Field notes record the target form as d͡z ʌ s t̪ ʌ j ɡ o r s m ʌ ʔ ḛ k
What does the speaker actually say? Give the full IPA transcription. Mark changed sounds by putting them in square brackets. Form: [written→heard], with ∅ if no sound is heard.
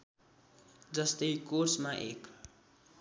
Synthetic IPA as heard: d͡z ʌ s t̪ ʌ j [ɡ→k] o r s m [ʌ→a] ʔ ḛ k